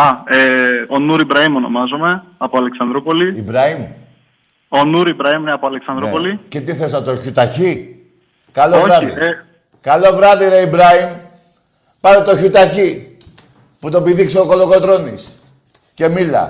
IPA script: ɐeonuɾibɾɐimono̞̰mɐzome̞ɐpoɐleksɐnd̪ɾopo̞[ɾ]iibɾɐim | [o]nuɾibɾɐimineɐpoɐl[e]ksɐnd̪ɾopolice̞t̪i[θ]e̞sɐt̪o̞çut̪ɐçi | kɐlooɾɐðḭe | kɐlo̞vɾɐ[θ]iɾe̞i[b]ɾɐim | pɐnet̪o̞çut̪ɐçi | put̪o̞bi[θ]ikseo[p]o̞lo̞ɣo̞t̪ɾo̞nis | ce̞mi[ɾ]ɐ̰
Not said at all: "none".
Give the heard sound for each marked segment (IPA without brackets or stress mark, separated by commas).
l, o, e, θ, ð, b, ð, k, l